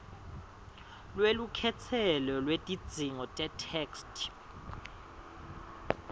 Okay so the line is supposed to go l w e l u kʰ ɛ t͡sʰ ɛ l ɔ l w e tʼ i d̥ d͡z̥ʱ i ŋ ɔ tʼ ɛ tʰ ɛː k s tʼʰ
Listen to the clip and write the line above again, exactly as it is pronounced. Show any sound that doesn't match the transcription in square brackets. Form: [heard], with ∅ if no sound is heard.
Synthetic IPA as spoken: l w e l u kʰ ɛ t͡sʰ ɛ l ɔ l w e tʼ i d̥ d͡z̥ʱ i ŋ ɔ tʼ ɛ tʰ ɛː k s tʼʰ